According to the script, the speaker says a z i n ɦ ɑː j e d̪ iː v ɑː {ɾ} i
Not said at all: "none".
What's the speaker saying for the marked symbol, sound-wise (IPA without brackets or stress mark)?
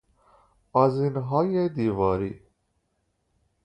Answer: ɾ